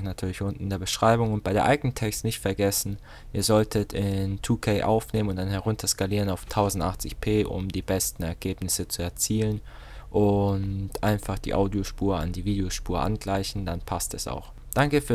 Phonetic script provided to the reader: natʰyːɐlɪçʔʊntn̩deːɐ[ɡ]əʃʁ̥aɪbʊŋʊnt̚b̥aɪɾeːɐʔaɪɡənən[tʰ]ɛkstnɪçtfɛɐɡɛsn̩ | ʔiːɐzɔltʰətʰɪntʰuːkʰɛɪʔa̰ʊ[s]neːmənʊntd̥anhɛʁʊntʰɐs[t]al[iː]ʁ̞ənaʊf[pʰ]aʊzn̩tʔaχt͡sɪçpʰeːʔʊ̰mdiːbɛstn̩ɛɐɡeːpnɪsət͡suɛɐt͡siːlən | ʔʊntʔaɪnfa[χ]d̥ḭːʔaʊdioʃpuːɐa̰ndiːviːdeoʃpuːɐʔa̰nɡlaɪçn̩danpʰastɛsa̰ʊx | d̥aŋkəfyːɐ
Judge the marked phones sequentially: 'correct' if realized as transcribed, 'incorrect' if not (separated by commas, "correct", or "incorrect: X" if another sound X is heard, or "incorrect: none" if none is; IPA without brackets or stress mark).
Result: incorrect: b, correct, incorrect: f, incorrect: k, correct, incorrect: tʰ, correct